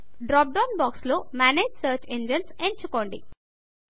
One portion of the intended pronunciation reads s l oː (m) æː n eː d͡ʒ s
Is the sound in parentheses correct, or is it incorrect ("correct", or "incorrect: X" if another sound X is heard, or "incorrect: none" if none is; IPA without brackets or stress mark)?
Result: correct